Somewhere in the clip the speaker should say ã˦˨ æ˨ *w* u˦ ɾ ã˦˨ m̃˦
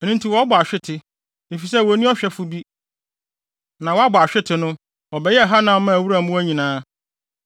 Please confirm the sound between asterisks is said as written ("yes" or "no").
yes